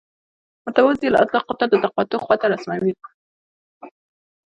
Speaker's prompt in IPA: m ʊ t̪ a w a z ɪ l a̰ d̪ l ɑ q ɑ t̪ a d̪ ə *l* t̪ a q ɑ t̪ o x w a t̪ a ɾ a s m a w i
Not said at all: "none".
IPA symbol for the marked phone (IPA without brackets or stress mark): none